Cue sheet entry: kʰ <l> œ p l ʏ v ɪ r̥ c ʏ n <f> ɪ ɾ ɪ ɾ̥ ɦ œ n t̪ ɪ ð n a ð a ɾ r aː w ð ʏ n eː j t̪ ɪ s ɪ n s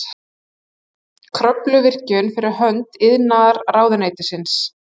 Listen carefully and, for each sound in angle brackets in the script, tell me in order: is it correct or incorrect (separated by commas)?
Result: incorrect, correct